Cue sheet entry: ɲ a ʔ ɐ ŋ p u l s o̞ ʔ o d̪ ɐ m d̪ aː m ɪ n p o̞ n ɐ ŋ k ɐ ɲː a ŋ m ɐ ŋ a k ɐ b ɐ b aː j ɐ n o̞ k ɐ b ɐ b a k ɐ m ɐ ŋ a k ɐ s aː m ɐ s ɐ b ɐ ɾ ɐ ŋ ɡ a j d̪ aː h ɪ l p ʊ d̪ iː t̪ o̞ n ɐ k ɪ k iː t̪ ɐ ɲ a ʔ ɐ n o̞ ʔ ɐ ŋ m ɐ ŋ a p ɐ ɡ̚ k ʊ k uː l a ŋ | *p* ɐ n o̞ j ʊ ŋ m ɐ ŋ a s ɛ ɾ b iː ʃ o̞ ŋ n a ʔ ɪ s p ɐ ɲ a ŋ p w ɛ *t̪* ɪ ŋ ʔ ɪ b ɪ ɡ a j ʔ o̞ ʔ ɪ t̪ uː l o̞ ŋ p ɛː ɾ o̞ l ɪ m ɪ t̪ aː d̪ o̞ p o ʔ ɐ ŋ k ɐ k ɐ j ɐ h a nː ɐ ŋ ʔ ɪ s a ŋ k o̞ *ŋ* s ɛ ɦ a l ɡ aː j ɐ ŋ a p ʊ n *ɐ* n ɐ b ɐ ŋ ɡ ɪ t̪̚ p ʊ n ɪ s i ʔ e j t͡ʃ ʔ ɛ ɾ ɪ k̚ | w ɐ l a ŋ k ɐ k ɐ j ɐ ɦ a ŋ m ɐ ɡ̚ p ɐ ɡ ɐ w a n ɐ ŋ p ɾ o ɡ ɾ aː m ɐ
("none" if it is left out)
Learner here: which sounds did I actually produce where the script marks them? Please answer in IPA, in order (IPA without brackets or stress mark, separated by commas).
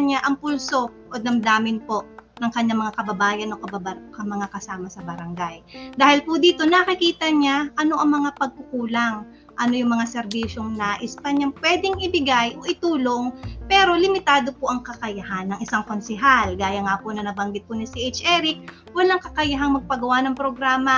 ʔ, d̪, n, ɐ